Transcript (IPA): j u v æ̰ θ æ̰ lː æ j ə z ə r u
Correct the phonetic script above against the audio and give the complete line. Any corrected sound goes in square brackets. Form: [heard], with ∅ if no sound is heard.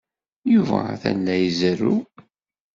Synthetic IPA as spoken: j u v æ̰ θ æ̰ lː æ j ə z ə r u